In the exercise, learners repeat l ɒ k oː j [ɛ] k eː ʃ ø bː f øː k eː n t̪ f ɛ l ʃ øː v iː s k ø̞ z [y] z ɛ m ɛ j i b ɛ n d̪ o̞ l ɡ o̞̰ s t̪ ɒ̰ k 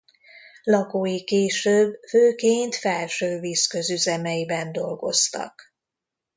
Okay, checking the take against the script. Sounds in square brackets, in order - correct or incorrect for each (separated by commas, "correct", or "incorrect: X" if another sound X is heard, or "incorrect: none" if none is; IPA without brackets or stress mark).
incorrect: i, correct